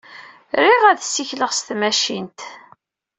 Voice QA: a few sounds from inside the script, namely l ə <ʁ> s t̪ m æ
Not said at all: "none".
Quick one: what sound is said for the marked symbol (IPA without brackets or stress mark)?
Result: ʁ